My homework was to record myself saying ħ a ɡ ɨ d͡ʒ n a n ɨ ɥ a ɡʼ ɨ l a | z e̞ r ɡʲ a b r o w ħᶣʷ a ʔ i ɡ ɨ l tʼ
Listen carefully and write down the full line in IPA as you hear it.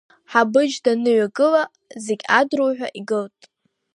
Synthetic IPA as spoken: ħ a b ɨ d͡ʒ d a n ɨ ɥ a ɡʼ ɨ l a | z e̞ ɡʲ a d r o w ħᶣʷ a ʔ i ɡ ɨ l tʼ